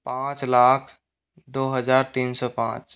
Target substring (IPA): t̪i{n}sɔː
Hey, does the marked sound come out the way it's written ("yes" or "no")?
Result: yes